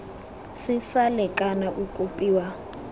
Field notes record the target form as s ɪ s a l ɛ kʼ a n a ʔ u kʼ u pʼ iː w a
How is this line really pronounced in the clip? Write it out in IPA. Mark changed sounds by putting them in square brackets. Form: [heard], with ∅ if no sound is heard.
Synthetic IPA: s ɪ s a l ɛ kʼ a n a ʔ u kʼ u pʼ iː w a